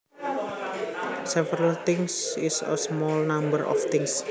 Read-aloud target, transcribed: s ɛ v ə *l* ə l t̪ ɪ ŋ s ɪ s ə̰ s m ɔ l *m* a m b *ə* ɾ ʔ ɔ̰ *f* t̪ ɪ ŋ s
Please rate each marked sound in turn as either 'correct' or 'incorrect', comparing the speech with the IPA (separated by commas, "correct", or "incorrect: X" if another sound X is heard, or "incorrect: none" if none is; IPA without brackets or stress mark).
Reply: incorrect: ɾ, incorrect: n, correct, correct